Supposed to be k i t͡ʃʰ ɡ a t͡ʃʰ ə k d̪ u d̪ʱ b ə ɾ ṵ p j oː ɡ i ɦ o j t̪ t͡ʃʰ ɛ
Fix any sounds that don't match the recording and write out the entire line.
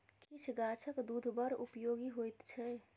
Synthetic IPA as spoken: k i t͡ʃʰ ɡ a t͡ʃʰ ə k d̪ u d̪ʱ b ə ɾ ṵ p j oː ɡ i ɦ o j t̪ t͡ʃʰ ɛ